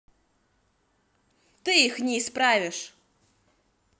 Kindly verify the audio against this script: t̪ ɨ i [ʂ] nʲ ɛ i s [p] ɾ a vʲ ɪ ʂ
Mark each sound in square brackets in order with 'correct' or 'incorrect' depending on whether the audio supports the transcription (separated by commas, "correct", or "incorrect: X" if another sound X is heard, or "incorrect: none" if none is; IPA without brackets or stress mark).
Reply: incorrect: x, correct